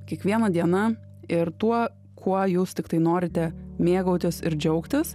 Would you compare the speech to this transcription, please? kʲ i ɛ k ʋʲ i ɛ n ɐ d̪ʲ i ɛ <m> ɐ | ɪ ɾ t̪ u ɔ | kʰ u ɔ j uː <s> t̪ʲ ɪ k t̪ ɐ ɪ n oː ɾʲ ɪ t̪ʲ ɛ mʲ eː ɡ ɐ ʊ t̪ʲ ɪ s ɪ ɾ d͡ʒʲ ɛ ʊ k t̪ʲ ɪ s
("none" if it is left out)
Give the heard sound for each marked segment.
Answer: n, s

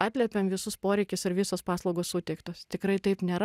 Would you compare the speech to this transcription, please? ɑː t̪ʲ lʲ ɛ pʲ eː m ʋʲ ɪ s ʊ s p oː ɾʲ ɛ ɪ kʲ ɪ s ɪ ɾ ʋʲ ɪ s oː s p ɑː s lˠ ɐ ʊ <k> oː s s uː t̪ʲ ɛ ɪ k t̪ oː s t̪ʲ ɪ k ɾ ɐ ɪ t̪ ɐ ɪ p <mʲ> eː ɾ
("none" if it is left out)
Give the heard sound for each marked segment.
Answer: ɡ, nʲ

